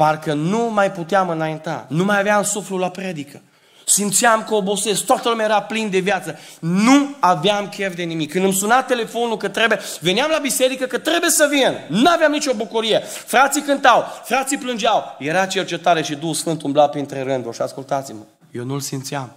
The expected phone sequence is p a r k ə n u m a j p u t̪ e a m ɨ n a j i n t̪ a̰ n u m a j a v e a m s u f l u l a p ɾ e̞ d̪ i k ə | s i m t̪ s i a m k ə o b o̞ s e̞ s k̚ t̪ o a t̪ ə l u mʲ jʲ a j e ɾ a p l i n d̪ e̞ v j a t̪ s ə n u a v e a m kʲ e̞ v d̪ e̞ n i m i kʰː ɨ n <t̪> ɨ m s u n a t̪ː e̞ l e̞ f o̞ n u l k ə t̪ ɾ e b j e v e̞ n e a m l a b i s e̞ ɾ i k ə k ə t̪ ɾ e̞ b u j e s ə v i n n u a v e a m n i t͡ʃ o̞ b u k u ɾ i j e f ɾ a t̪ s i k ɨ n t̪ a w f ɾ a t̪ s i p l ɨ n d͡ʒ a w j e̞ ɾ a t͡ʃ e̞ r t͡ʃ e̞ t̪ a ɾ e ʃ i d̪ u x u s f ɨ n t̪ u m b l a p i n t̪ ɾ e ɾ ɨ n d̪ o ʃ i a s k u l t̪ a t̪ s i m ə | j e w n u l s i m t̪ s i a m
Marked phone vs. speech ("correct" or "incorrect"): incorrect